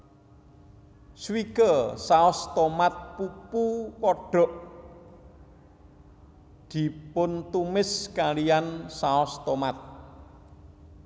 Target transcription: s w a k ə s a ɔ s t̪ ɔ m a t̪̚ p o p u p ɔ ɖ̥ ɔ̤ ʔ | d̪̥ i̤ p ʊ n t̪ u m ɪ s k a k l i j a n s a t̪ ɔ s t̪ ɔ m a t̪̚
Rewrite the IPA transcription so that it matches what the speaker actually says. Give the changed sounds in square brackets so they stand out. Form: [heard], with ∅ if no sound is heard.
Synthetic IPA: s w [i] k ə s a ɔ s t̪ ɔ m a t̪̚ p [u] p u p ɔ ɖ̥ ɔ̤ ʔ | d̪̥ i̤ p ʊ n t̪ u m ɪ s k a [∅] l i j a n s a [∅] ɔ s t̪ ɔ m a t̪̚